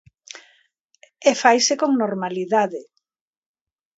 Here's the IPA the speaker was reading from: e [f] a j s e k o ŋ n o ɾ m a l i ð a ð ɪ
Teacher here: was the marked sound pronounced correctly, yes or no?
yes